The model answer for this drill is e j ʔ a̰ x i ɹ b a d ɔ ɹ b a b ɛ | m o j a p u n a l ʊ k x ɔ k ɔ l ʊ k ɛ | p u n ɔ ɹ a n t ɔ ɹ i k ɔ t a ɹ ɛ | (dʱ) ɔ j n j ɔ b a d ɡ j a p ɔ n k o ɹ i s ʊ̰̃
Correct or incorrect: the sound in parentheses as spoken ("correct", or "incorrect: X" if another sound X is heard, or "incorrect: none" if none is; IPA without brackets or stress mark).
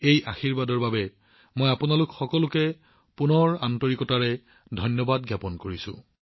correct